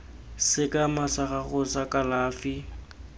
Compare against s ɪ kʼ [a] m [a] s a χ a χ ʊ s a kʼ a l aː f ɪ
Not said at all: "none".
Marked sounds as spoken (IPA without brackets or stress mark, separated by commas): a, a